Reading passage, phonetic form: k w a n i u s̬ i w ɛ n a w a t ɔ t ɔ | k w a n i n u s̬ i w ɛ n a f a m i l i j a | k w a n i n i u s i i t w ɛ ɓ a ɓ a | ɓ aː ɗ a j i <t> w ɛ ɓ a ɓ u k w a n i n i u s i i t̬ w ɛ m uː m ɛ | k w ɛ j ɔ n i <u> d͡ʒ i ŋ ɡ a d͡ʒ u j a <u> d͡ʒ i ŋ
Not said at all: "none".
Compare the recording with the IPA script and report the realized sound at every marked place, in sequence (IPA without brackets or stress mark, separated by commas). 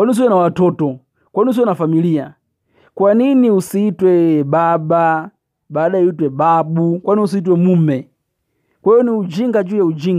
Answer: t, u, u